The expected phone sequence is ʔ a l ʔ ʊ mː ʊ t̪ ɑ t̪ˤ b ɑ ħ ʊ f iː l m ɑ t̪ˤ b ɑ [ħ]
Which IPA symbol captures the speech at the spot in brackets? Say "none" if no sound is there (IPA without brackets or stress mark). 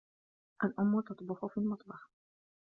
ħ